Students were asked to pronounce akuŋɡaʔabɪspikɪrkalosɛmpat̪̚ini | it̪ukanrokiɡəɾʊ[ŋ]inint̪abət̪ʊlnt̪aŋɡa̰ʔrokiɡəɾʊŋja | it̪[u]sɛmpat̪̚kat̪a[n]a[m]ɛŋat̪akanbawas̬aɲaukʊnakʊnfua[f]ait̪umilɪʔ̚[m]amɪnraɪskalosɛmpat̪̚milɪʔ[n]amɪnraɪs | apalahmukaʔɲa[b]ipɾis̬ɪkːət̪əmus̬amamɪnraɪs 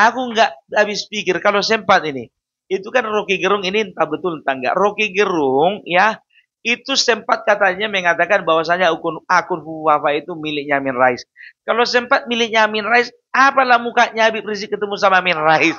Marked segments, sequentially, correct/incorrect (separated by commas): correct, correct, incorrect, correct, correct, incorrect, incorrect, correct